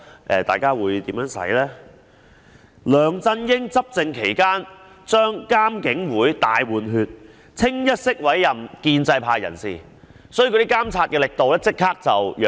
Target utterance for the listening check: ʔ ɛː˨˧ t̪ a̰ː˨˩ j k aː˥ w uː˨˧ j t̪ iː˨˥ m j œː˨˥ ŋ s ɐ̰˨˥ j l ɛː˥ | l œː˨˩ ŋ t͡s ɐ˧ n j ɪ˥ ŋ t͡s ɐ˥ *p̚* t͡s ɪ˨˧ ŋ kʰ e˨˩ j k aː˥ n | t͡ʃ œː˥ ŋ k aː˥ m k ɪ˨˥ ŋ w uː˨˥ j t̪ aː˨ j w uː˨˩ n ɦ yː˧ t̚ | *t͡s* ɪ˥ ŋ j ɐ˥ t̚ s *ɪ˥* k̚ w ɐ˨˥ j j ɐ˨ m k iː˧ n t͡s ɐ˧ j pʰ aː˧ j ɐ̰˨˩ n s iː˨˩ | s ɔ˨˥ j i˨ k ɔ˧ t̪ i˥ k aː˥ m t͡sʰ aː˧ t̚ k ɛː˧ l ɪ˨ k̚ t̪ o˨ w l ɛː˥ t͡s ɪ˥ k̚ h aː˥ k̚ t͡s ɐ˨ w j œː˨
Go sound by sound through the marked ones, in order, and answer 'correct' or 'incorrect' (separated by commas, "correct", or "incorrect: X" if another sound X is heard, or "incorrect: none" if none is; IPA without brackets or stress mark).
correct, incorrect: t͡sʰ, correct